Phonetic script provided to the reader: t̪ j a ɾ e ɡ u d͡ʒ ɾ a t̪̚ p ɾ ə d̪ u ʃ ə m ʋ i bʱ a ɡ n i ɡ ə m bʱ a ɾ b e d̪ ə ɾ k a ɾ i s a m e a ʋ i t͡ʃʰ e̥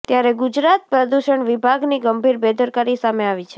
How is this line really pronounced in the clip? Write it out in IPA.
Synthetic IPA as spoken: t̪ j a ɾ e ɡ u d͡ʒ ɾ a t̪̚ p ɾ ə d̪ u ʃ ə ɳ ʋ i bʱ a ɡ n i ɡ ə m bʱ i ɾ b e d̪ ə ɾ k a ɾ i s a m e a ʋ i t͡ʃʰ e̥